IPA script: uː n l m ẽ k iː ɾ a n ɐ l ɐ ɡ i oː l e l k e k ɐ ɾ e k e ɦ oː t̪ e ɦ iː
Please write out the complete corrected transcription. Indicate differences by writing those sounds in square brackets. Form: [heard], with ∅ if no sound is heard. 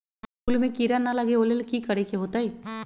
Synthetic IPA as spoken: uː [∅] l m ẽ k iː ɾ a n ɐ l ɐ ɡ [e] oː l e l k [i] k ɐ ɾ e k e ɦ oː t̪ [a] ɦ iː